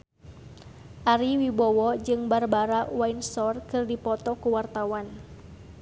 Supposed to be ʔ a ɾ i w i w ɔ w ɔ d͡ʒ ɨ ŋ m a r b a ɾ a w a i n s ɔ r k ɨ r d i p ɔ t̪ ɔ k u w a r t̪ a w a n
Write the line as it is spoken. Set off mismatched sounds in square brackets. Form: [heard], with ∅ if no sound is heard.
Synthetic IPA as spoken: ʔ a ɾ i w i [b] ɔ w ɔ d͡ʒ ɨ ŋ [b] a r b a ɾ a w a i n s ɔ r k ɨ r d i p ɔ t̪ ɔ k u w a r t̪ a w a n

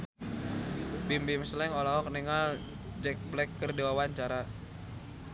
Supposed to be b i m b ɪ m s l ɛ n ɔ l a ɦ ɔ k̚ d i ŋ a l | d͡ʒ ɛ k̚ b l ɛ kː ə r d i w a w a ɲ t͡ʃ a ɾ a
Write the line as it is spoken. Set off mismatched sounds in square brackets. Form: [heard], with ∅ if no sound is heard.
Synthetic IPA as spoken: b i m b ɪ m s l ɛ [ŋ] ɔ l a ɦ ɔ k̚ [n] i ŋ a l | d͡ʒ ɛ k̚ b l ɛ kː ə r d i w a w a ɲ t͡ʃ a ɾ a

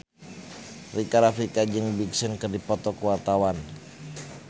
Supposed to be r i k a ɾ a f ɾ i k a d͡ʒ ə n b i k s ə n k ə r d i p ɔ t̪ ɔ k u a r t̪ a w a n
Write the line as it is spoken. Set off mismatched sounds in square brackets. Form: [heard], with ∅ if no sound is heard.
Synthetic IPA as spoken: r i k a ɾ a f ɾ i k a d͡ʒ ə [ŋ] b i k s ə n k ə r d i p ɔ t̪ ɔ k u a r t̪ a w a n

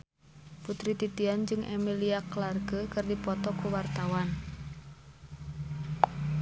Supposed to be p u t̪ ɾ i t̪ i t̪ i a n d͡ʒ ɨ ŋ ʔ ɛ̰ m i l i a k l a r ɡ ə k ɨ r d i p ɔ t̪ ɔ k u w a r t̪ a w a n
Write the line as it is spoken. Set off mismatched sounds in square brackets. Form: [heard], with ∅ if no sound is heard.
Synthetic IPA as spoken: p u t̪ ɾ i t̪ i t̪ i a n d͡ʒ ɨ ŋ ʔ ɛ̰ m i l i a k l a r ɡ ə k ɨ r d i p ɔ t̪ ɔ k u w a r t̪ a w a n

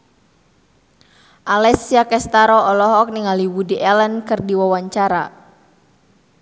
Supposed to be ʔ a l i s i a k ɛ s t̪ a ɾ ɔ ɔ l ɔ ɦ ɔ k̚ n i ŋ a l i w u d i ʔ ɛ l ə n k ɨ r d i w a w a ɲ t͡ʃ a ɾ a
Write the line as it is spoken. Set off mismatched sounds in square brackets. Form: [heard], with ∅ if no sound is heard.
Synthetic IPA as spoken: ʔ a l [ɛ] s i a k ɛ s t̪ a ɾ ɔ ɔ l ɔ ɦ ɔ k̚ n i ŋ a l i w u d i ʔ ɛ l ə n k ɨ r d i w a w a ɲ t͡ʃ a ɾ a

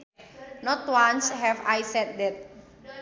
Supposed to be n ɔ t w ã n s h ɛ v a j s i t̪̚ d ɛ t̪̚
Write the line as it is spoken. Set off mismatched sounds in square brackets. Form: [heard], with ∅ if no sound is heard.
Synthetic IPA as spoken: n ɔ t w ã n s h ɛ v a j s [ɛ] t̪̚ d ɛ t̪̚

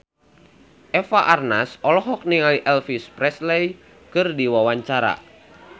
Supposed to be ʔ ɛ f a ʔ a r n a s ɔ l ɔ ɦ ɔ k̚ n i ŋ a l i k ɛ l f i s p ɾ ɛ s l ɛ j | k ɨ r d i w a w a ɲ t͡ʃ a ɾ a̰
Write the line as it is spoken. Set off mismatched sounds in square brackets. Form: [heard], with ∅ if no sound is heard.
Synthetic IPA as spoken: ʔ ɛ f a ʔ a r n a s ɔ l ɔ ɦ ɔ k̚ n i ŋ a l i [ʔ] ɛ l f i s p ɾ ɛ s l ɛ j | k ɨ r d i w a w a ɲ t͡ʃ a ɾ a̰

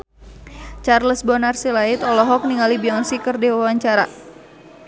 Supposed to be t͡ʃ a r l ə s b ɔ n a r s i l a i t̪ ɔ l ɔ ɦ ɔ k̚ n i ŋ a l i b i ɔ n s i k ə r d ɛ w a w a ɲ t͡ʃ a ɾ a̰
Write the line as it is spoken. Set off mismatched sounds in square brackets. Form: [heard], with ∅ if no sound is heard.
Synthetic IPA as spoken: t͡ʃ a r l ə s b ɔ n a r s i l a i t̪ ɔ l ɔ ɦ ɔ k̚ n i ŋ a l i b i ɔ n s i k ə r d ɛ w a w a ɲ t͡ʃ a ɾ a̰

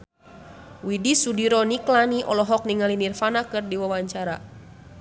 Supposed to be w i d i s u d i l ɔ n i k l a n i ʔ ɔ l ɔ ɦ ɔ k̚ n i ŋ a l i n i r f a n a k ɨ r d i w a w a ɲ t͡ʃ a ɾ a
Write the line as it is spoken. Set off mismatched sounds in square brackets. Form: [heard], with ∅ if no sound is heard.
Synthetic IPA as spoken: w i d i s u d i [ɾ] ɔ n i k l a n i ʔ ɔ l ɔ ɦ ɔ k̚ n i ŋ a l i n i r f a n a k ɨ r d i w a w a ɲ t͡ʃ a ɾ a

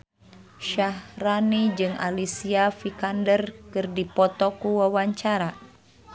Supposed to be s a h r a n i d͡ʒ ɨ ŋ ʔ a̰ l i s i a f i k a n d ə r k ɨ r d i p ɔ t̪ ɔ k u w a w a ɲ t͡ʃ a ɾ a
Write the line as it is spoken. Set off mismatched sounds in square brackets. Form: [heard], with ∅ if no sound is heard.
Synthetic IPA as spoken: [ʃ] a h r a n i d͡ʒ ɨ ŋ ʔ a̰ l i s i a f i k a n d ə r k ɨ r d i p ɔ t̪ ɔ k u w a w a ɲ t͡ʃ a ɾ a

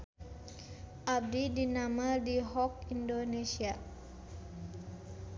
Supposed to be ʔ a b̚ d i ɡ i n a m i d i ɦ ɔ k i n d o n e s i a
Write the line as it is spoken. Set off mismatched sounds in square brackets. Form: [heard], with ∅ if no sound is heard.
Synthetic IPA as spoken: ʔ a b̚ d i [d] i n a m [a] d i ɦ ɔ k i n d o n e s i a

